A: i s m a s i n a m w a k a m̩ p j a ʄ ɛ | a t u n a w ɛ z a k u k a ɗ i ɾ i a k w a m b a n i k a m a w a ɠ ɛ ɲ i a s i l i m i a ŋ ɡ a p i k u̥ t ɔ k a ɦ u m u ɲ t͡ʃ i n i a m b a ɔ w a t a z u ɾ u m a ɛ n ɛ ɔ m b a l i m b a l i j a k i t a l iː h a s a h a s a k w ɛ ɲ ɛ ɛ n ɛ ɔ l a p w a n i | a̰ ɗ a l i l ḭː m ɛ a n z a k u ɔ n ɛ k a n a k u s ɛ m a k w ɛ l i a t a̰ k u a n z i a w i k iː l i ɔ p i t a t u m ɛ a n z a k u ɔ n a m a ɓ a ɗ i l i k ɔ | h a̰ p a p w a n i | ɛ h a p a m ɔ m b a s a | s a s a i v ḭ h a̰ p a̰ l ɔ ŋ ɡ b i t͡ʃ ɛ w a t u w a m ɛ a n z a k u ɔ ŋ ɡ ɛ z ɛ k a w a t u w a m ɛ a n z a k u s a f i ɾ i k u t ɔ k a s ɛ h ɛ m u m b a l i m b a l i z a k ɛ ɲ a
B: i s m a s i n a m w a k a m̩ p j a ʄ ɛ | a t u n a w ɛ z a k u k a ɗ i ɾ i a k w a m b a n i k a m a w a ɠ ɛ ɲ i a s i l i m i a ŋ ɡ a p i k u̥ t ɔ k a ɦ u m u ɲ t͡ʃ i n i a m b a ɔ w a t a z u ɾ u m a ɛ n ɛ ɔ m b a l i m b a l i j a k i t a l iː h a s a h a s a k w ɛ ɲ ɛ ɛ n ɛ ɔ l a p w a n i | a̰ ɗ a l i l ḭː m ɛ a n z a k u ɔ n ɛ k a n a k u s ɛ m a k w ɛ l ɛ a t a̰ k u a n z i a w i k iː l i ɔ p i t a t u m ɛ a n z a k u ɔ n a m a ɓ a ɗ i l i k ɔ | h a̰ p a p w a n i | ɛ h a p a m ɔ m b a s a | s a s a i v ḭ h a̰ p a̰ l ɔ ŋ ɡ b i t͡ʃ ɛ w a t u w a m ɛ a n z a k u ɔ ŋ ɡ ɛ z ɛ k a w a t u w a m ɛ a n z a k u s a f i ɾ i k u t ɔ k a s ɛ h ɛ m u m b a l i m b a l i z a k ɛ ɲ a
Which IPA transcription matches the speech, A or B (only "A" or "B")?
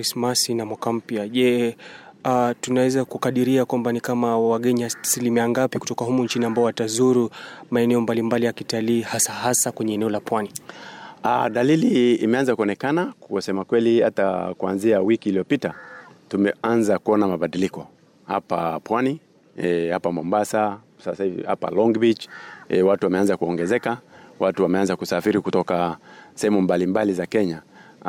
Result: A